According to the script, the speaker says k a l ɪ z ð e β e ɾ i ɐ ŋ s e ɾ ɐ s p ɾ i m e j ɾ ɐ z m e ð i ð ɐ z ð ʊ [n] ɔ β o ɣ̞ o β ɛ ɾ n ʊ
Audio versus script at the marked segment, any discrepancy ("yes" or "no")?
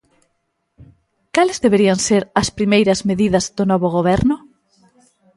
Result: no